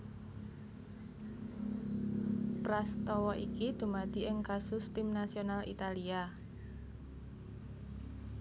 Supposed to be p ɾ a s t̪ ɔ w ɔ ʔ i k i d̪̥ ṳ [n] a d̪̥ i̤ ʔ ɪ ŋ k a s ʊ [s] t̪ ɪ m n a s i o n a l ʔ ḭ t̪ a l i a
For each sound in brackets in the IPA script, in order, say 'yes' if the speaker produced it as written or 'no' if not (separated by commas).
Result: no, yes